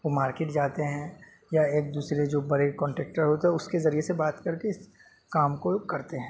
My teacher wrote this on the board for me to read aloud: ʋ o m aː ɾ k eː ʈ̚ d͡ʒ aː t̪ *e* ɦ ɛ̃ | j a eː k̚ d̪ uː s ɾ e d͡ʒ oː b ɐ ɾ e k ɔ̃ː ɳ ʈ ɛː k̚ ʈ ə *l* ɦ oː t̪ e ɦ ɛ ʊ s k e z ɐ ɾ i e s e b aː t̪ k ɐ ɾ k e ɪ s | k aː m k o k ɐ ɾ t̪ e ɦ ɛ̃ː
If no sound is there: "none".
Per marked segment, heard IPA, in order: e, ɾ

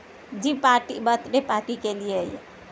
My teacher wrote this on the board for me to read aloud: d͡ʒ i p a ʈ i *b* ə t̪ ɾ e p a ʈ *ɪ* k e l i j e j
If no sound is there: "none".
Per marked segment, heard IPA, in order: b, i

